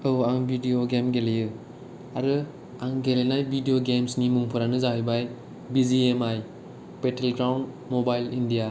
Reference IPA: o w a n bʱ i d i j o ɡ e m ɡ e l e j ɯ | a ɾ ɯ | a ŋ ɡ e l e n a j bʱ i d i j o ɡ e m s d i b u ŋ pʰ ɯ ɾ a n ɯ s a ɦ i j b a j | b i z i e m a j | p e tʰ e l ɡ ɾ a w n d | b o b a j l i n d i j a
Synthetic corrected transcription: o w a ŋ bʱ i d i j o ɡ e m ɡ e l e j ɯ | a ɾ ɯ | a ŋ ɡ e l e n a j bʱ i d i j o ɡ e m s n i m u ŋ pʰ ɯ ɾ a n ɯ z a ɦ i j b a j | b i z i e m a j | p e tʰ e l ɡ ɾ a w n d | m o b a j l i n d i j a